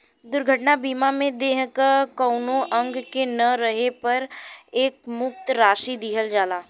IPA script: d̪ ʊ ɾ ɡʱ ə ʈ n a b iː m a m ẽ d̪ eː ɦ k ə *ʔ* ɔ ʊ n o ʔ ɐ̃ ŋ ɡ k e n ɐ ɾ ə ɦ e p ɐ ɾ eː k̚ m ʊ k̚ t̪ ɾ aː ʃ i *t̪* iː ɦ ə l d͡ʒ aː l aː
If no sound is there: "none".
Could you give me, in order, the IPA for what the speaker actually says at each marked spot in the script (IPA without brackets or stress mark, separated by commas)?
k, d̪